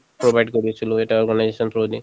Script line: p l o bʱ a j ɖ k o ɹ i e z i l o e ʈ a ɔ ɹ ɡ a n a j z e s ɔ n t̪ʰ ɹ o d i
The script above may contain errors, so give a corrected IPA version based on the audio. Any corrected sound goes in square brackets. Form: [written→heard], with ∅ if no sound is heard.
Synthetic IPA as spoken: p [l→ɹ] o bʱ a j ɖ k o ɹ i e [z→s] i l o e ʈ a ɔ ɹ ɡ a n a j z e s ɔ n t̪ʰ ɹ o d i